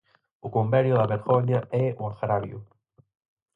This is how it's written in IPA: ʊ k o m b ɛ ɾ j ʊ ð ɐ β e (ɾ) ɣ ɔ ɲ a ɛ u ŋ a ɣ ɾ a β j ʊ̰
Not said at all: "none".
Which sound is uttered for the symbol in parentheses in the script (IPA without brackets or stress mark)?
ɾ